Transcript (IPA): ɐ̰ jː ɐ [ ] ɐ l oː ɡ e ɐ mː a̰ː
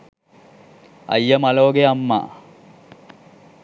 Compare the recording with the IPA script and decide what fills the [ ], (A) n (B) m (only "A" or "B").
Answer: B